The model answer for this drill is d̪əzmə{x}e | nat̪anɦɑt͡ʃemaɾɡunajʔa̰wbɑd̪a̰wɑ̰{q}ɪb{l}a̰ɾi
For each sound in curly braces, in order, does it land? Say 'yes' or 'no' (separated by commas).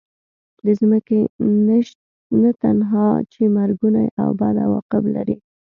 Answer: no, yes, yes